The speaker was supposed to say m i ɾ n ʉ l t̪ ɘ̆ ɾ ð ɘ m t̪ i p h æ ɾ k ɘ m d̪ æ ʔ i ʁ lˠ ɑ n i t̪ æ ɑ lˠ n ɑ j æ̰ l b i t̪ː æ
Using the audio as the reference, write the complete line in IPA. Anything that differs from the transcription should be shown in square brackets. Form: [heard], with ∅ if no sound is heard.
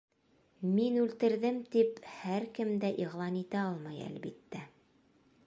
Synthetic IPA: m i [∅] n ʉ l t̪ ɘ̆ ɾ ð ɘ m t̪ i p h æ ɾ k ɘ m d̪ æ ʔ i ʁ lˠ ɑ n i t̪ æ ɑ lˠ [m] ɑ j æ̰ l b i t̪ː æ